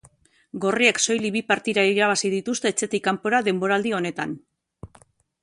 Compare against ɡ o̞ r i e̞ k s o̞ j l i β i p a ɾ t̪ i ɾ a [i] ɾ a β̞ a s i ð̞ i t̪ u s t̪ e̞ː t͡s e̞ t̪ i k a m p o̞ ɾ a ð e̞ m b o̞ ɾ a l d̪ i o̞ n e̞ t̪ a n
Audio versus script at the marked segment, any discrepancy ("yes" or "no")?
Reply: no